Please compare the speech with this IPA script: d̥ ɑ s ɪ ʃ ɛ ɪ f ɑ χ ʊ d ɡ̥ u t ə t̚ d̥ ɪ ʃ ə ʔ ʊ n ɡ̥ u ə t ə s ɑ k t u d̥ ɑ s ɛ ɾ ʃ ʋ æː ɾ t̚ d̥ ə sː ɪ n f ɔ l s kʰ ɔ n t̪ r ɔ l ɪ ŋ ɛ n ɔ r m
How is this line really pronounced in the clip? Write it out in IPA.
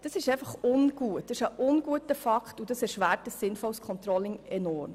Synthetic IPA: d̥ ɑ s ɪ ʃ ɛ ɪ f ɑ χ ʊ n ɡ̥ u ə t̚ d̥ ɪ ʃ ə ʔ ʊ n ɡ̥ u ə t ə f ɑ k t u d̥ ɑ s ɛ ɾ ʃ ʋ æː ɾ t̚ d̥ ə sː ɪ n f ɔ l s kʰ ɔ n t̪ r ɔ l ɪ ŋ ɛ n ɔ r m